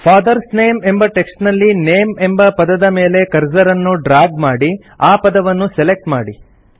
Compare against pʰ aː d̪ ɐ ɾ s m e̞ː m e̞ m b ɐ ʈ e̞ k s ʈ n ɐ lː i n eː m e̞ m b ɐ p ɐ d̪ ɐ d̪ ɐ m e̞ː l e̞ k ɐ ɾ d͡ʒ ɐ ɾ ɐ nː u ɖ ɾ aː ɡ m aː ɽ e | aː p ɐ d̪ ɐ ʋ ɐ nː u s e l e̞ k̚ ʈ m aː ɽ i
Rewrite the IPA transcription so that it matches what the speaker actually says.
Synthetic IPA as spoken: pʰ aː d̪ ɐ ɾ s n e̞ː m e̞ m b ɐ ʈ e̞ k s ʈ n ɐ lː i n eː m e̞ m b ɐ p ɐ d̪ ɐ d̪ ɐ m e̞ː l e̞ k ɐ ɾ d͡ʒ ɐ ɾ ɐ nː u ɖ ɾ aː ɡ m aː ɽ i | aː p ɐ d̪ ɐ ʋ ɐ nː u s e l e̞ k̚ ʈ m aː ɽ i